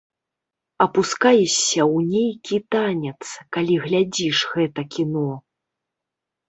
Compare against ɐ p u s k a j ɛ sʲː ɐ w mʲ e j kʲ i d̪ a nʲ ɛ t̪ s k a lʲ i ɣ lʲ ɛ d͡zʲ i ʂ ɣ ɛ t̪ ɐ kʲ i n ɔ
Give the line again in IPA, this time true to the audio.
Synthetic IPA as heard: ɐ p u s k a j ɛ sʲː ɐ w nʲ e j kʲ i t̪ a nʲ ɛ t̪ s k a lʲ i ɣ lʲ a d͡zʲ i ʂ ɣ ɛ t̪ ɐ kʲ i n ɔ